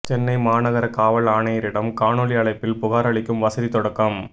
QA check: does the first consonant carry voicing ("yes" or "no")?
no